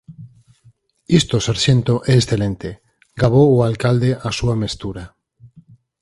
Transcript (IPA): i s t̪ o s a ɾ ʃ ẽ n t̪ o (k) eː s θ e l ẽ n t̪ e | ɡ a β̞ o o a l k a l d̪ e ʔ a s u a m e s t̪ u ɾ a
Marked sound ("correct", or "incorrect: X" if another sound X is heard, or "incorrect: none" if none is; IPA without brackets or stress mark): incorrect: ʔ